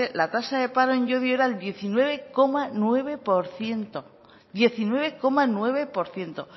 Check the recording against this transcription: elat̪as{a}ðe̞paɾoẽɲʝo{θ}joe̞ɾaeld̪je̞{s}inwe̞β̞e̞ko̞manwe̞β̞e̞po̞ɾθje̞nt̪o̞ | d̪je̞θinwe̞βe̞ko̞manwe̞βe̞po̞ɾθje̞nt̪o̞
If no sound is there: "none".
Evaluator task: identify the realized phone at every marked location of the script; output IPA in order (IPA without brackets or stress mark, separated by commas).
a, ð, θ